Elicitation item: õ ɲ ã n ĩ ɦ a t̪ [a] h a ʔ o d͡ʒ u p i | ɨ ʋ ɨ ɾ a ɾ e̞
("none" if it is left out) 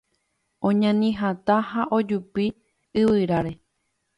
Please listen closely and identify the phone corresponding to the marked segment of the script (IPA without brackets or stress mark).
a